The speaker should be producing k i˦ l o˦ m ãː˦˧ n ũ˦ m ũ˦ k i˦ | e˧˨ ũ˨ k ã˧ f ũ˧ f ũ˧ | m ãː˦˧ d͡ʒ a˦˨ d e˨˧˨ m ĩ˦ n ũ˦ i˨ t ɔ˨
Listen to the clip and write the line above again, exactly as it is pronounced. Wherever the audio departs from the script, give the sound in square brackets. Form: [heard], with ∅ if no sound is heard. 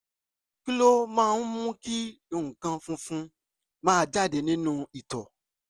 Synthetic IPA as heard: k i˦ l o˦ m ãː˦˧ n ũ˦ m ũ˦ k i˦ | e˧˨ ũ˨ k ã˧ f ũ˧ f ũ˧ | m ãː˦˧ d͡ʒ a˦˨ d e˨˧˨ [n] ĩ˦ n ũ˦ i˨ t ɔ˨